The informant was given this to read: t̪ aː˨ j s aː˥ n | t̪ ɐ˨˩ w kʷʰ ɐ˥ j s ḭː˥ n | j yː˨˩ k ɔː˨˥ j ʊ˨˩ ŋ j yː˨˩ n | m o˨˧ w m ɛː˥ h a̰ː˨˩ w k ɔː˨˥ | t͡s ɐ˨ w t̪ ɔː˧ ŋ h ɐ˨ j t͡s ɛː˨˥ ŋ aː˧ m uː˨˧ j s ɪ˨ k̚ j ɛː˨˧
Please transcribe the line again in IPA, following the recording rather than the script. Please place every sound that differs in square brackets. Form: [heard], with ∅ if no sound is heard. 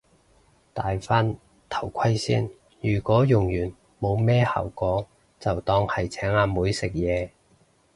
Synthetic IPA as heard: t̪ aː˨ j [f] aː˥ n | [t̪ʰ] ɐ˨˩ w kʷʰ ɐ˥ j s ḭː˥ n | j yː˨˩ k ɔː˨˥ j ʊ˨˩ ŋ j yː˨˩ n | m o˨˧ w m ɛː˥ h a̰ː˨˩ w k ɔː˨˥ | t͡s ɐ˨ w t̪ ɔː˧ ŋ h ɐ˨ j [t͡sʰ] ɛː˨˥ ŋ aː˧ m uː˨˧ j s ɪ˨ k̚ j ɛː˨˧